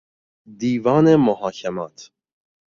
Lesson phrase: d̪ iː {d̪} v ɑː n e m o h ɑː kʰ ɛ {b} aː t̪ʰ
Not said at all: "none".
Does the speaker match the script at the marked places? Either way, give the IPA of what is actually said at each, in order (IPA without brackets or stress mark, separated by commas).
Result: none, m